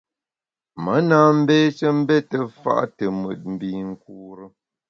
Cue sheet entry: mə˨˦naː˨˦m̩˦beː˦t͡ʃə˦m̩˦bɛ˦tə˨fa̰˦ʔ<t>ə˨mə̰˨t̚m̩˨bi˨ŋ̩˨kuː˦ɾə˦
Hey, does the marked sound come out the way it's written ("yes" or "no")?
yes